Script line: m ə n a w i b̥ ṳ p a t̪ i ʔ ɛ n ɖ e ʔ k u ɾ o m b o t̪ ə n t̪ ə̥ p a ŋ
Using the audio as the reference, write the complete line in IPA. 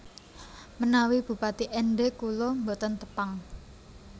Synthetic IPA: m ə n a w i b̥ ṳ p a t̪ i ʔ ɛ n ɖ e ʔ k u l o m b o t̪ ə n t̪ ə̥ p a ŋ